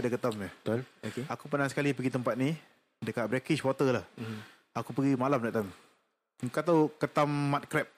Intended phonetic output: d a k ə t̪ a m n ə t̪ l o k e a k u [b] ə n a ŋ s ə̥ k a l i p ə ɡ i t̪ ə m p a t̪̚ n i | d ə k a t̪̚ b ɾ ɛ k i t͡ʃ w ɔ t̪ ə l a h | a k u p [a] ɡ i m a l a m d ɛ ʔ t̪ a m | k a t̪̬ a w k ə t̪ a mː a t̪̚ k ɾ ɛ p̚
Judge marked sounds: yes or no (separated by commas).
no, no